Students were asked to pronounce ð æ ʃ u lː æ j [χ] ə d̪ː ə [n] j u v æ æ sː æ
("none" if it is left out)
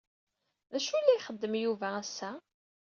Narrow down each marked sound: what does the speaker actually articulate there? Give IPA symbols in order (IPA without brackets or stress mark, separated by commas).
χ, m